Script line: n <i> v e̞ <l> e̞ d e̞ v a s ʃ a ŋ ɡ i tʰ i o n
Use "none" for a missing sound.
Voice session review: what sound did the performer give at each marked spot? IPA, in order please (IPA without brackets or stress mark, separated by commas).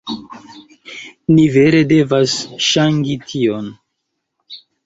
i, ɾ